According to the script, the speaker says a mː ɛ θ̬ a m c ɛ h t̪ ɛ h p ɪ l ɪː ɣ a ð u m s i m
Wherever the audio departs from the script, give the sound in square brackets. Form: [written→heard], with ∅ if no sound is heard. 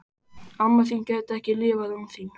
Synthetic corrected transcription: a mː [ɛ→a] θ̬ [a→i] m c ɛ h t̪ ɛ h [p→c] ɪ l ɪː [ɣ→v] a ð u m [s→θ] i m